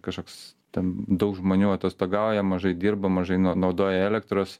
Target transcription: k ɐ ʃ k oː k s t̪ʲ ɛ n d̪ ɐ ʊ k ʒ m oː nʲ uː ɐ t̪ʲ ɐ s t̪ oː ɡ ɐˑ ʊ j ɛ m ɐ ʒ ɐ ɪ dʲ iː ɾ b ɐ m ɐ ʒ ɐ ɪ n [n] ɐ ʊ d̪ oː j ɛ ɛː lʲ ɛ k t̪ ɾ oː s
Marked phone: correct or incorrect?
correct